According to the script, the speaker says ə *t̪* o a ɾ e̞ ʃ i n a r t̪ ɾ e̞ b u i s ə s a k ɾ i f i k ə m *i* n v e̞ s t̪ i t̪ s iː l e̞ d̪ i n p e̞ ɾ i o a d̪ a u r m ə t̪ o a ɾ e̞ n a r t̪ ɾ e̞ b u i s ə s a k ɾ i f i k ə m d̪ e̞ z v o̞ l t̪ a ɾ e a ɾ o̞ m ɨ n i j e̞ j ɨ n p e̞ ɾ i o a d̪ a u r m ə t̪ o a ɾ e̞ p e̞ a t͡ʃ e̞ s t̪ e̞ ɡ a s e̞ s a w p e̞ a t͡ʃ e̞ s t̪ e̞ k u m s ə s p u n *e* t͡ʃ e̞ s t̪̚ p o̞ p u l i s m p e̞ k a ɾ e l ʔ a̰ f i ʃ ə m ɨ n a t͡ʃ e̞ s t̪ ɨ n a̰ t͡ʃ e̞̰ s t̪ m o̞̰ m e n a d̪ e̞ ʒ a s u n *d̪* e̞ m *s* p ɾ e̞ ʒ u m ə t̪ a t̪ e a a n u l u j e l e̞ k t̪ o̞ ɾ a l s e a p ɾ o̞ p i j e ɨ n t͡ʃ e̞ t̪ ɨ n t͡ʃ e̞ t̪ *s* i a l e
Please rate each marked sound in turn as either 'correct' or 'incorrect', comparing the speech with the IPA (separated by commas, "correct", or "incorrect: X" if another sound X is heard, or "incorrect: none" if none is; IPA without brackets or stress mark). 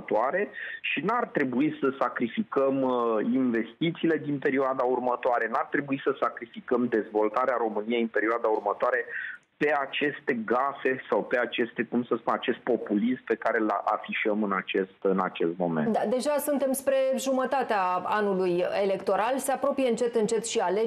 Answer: correct, correct, incorrect: a, incorrect: t̪, correct, incorrect: ʃ